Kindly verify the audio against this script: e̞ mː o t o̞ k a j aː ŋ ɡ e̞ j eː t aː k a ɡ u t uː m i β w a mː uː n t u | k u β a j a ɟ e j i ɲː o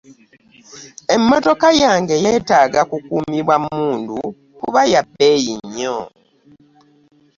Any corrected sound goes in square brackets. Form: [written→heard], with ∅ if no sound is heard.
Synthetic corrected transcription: e̞ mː o t o̞ k a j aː ŋ ɡ e̞ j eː t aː [k→ɡ] a [ɡ→k] u [t→k] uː m i β w a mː uː n [t→d] u | k u β a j a [ɟ→b] e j i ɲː o